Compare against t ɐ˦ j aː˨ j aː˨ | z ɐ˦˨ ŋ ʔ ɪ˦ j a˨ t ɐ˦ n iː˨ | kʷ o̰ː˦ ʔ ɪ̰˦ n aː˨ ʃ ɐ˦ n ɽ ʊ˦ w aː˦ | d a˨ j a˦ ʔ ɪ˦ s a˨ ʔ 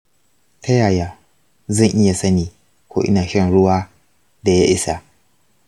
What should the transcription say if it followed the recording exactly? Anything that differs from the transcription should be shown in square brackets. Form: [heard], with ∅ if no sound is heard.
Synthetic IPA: t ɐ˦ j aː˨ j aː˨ | z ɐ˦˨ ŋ ʔ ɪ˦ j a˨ [s] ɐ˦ n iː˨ | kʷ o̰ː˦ ʔ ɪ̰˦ n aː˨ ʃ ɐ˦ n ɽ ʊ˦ w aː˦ | d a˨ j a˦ ʔ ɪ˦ s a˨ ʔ